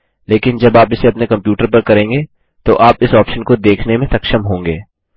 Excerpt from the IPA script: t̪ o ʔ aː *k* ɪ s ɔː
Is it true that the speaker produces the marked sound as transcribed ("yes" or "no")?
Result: no